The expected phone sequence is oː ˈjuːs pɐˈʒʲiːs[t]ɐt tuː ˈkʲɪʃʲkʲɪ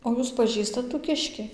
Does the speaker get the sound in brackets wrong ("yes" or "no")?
no